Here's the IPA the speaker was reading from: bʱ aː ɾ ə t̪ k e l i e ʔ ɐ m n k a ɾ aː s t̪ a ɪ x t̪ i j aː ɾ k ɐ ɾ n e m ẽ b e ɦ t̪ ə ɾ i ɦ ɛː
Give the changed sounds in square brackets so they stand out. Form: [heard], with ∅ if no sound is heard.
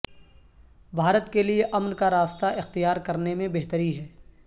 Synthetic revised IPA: bʱ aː ɾ ə t̪ k e l i e ʔ ɐ m n k a ɾ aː s t̪ a ɪ x t̪ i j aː ɾ k ɐ ɾ n e m ẽ b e ɦ t̪ ə ɾ i ɦ ɛː